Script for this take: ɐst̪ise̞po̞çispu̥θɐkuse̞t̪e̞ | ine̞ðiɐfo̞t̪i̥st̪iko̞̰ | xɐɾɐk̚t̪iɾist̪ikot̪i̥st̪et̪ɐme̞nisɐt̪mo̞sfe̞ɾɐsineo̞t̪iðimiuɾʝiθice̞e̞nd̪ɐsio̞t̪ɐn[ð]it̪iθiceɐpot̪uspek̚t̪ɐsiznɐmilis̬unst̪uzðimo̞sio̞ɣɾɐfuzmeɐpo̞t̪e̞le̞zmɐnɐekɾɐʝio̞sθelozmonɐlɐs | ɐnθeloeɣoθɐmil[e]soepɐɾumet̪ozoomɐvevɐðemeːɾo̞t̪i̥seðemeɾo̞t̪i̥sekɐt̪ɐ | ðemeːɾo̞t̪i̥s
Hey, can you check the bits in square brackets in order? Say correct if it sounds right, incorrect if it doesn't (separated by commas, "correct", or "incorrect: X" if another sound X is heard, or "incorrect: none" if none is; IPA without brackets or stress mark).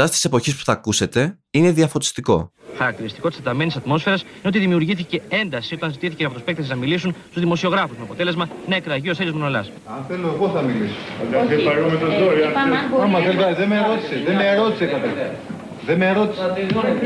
incorrect: z, incorrect: i